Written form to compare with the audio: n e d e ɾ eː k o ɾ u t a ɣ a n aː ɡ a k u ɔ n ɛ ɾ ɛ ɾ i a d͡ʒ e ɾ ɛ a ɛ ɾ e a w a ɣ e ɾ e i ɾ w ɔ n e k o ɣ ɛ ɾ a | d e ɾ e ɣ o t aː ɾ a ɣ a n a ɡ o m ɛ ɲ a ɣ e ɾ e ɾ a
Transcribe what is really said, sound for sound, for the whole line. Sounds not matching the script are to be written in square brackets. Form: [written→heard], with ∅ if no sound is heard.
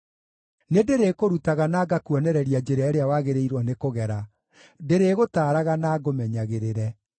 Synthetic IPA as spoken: n e d e ɾ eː k o ɾ u t a ɣ a n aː ɡ a k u ɔ n ɛ ɾ ɛ ɾ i a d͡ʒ e ɾ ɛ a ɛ ɾ e a w a ɣ e ɾ e i ɾ w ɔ n e k o ɣ ɛ ɾ a | d e ɾ e ɣ o t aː ɾ a ɣ a n a ɡ o m ɛ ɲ a ɣ e ɾ e ɾ [a→ɛ]